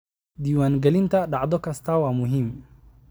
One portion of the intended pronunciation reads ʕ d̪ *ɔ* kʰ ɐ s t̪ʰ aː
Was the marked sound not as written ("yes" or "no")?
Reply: no